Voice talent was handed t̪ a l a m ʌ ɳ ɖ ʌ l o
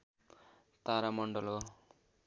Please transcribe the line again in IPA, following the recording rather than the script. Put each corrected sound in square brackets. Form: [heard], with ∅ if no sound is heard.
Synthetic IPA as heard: t̪ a [ɾ] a m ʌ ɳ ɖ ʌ l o